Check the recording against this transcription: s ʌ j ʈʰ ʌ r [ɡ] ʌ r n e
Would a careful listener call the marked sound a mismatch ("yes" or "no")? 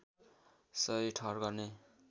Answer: no